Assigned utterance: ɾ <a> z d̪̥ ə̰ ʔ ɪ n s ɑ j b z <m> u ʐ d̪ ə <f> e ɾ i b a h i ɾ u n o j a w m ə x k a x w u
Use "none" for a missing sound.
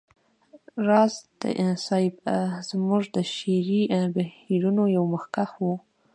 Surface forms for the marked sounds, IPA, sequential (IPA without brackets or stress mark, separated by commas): ɑ, m, ʃ